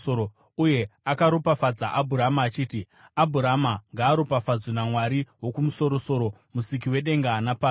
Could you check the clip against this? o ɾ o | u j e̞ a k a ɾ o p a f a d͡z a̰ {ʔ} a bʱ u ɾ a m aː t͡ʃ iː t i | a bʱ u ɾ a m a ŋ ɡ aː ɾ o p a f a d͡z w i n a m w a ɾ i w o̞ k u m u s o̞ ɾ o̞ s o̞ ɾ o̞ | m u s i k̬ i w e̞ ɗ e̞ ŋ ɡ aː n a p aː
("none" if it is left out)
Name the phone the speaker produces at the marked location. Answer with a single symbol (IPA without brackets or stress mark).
ʔ